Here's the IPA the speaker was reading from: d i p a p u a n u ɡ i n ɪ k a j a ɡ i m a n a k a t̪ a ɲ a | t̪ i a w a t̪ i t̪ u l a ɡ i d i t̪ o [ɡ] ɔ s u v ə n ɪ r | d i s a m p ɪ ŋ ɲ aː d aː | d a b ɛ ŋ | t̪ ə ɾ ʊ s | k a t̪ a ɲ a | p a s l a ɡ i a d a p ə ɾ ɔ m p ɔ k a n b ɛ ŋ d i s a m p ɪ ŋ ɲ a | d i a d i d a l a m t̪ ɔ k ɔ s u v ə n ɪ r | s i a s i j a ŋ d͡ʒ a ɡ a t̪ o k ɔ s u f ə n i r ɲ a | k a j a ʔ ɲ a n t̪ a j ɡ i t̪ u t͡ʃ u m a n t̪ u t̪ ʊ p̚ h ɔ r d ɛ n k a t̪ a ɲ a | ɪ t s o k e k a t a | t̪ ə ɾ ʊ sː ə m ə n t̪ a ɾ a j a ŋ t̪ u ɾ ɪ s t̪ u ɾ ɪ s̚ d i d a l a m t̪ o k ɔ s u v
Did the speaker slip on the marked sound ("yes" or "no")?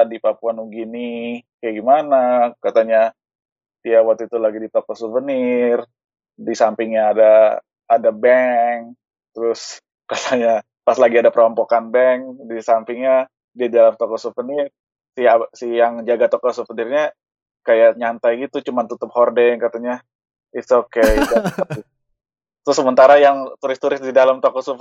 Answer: yes